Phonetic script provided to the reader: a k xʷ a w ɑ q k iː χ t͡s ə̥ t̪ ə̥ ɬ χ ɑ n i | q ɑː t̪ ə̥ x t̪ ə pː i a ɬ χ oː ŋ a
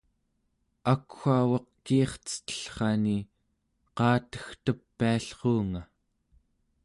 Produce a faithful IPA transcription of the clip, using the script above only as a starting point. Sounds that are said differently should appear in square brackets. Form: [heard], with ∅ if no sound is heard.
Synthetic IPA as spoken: a k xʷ a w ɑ q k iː χ t͡s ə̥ t̪ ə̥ ɬ χ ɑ n i | q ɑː t̪ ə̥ x t̪ ə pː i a ɬ χ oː ŋ a